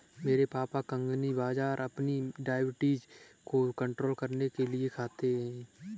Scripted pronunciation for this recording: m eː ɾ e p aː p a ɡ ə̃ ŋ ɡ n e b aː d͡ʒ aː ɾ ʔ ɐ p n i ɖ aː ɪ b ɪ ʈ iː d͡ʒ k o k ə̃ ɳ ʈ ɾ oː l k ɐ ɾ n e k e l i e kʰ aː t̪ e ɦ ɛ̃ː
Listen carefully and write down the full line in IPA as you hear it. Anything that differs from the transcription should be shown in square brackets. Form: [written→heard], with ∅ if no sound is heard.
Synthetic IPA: m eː ɾ e p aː p a [ɡ→k] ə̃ ŋ ɡ n [e→i] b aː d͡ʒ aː ɾ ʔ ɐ p n i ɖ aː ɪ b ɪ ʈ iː d͡ʒ k o k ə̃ ɳ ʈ ɾ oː l k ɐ ɾ n e k e l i e kʰ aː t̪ e ɦ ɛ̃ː